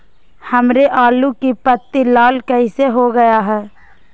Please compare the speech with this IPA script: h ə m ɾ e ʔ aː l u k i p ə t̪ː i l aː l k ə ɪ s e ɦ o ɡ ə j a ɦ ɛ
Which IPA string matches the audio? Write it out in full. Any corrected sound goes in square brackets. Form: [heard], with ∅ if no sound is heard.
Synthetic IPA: h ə m ɾ e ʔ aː l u k i p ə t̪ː i l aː l k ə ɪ s e ɦ o ɡ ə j a ɦ [ɛː]

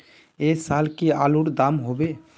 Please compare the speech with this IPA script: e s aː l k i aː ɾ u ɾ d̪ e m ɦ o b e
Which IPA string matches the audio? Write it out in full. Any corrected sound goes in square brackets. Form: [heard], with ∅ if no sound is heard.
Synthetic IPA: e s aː l k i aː [l] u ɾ d̪ [a] m ɦ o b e

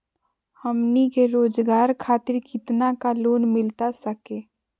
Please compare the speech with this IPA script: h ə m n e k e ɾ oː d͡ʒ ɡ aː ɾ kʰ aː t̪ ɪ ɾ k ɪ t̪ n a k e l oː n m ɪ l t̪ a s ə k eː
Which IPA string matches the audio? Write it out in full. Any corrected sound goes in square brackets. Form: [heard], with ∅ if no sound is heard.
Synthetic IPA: h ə m n [i] k e ɾ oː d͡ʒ ɡ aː ɾ kʰ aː t̪ ɪ ɾ k ɪ t̪ n a k [a] l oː n m ɪ l t̪ a s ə k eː

